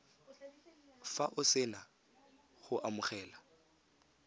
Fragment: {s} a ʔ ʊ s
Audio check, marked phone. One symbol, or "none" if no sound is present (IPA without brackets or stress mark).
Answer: f